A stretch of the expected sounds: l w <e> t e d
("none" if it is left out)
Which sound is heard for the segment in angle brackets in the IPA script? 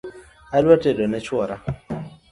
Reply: a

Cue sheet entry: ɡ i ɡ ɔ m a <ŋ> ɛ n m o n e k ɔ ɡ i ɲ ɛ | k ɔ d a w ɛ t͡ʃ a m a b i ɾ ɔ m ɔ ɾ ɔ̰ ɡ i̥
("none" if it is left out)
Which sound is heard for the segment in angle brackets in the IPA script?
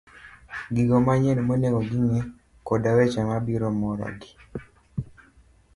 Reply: ɲ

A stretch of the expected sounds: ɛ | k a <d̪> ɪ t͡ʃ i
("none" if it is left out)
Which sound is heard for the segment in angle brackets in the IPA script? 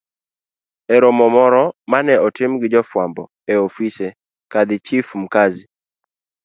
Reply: d̪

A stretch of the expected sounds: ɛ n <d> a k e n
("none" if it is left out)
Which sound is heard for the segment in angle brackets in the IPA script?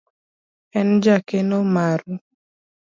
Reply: d͡ʒ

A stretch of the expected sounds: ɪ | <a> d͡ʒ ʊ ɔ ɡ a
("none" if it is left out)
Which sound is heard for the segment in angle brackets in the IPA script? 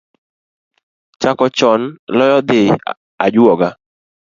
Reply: a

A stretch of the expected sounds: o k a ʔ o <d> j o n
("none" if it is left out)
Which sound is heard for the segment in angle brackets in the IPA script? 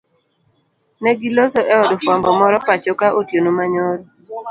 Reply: t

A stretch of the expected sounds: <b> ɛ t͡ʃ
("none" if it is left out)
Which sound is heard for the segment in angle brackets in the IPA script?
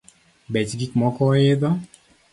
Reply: b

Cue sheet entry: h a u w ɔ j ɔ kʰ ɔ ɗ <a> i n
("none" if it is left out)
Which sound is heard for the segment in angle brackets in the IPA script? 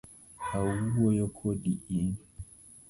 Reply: i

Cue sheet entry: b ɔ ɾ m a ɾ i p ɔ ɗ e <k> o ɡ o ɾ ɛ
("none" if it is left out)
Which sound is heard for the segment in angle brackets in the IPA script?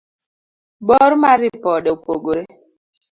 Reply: p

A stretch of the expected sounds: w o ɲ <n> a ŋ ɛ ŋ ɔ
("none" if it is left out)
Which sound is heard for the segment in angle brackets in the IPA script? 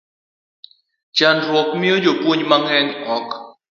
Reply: m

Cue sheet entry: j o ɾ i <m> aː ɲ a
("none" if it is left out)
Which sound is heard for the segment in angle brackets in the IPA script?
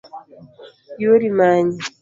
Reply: m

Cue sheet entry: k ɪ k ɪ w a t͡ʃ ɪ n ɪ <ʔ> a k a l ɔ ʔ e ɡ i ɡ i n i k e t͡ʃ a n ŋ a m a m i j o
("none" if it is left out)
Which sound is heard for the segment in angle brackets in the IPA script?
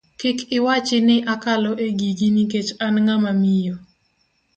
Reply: ʔ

